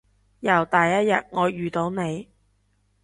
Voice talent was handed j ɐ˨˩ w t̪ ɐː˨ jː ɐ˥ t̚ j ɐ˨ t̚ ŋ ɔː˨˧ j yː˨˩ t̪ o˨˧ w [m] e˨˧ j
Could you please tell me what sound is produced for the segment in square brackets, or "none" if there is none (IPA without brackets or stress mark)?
n